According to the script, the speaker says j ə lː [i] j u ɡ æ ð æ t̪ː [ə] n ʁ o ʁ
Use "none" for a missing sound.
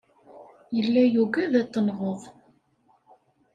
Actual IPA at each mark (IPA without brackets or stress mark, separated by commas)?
æ, ə